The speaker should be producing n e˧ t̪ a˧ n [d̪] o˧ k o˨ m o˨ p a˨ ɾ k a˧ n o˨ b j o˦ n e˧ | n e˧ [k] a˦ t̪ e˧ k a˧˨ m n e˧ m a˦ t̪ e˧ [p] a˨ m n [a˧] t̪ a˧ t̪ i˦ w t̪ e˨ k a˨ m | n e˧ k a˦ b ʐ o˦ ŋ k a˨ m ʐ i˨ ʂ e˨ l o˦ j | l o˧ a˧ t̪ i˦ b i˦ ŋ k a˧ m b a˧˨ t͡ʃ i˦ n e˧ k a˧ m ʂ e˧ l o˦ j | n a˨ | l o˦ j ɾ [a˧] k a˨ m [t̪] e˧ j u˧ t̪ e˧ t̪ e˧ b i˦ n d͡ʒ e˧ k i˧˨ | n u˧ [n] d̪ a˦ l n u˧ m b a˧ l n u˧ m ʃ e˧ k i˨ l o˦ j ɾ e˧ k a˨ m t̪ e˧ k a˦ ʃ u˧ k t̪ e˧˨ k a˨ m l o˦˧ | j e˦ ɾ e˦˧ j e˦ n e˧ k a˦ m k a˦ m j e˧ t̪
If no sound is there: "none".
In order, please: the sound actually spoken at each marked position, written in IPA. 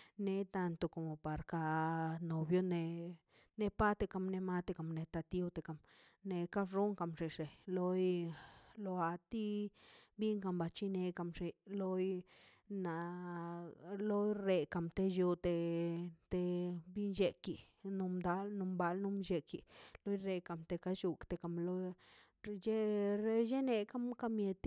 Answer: t̪, p, k, e˧, e˧, t̪, m

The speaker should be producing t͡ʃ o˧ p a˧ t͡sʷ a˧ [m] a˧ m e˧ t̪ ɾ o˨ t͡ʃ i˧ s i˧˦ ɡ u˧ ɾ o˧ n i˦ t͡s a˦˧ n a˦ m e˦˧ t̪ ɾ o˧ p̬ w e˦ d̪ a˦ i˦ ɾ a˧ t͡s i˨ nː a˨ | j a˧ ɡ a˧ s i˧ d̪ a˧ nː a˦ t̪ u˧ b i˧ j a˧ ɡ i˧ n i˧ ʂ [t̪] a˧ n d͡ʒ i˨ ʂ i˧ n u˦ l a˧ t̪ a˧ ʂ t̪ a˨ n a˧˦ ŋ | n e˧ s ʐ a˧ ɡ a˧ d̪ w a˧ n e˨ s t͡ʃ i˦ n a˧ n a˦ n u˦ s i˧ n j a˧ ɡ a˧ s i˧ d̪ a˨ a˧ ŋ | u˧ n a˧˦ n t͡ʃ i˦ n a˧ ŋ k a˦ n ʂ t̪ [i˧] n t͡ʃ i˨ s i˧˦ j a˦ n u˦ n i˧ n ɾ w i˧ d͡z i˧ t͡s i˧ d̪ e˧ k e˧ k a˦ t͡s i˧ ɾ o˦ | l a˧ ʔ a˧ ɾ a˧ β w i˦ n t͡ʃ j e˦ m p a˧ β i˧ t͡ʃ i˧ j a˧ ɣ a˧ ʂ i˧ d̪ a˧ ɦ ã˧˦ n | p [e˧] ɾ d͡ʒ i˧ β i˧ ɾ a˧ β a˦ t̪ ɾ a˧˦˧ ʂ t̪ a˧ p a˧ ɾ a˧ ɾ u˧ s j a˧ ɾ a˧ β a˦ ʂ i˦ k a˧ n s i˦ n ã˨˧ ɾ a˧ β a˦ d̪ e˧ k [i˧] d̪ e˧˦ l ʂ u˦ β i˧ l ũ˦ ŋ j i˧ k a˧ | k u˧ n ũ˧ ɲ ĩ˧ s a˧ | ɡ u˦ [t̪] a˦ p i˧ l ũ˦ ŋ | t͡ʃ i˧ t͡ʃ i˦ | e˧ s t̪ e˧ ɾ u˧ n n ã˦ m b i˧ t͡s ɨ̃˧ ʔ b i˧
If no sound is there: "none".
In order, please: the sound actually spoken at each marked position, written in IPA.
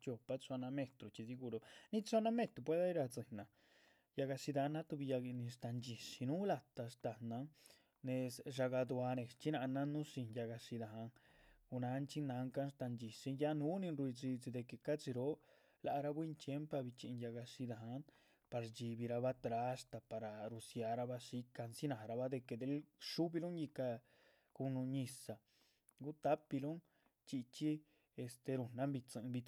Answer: n, t̪, a˧, a˧, e˧, t̪

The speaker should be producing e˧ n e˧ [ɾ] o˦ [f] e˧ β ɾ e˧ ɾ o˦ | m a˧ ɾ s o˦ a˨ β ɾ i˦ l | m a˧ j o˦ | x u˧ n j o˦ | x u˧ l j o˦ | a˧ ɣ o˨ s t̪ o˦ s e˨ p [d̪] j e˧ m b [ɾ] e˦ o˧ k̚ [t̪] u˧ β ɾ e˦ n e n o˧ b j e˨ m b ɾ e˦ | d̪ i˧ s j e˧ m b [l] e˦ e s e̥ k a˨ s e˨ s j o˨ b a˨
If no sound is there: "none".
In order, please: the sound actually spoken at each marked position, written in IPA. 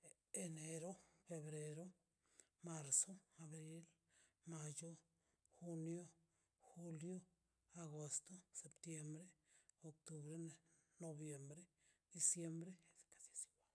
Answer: ɾ, f, t̪, ɾ, t̪, ɾ

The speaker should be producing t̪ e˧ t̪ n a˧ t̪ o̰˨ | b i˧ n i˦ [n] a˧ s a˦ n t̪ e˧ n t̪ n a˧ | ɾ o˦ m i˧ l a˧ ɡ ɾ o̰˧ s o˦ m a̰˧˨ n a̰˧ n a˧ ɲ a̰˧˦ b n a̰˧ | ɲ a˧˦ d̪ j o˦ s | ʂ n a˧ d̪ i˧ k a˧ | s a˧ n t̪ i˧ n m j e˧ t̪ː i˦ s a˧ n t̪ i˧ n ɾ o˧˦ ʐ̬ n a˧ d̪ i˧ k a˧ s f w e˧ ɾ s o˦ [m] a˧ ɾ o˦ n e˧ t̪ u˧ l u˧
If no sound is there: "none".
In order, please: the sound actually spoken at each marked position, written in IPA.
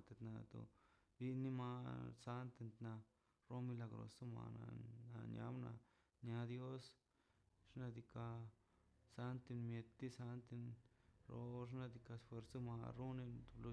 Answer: m, m

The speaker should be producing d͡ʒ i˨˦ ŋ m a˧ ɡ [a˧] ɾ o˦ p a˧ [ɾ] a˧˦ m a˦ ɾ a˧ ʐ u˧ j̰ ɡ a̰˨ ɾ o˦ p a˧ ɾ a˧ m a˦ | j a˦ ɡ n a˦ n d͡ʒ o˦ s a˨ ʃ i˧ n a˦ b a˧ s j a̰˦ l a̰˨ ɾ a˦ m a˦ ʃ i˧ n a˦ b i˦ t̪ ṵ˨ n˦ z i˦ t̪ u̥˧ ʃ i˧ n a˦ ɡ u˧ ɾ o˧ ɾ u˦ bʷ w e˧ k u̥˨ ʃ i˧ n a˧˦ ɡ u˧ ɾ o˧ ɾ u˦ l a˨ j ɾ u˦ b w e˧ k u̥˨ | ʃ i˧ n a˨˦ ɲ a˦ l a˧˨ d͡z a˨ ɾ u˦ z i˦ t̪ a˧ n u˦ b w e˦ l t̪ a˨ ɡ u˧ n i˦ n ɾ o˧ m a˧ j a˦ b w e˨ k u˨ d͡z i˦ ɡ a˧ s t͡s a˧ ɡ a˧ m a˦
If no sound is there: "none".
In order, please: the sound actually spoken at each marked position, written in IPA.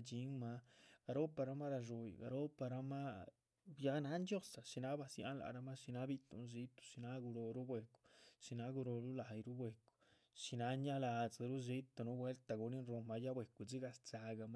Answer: a˧, ɾ

